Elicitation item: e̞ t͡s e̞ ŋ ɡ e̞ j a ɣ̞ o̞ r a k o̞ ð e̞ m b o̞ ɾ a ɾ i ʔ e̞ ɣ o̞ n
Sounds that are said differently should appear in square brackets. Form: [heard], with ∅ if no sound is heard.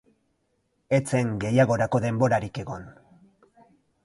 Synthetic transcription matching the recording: e̞ t͡s e̞ ŋ ɡ e̞ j a ɣ̞ o̞ [ɾ] a k o̞ ð e̞ m b o̞ ɾ a ɾ i [k] e̞ ɣ o̞ n